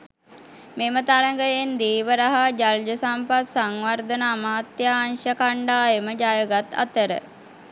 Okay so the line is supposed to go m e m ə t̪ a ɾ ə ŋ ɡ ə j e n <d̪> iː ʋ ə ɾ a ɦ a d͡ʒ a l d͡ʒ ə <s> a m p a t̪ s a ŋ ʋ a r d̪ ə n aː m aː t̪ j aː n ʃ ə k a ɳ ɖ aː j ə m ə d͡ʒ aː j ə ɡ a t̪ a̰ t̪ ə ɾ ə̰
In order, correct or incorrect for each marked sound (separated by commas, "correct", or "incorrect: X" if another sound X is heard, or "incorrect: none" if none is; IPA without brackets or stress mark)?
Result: correct, correct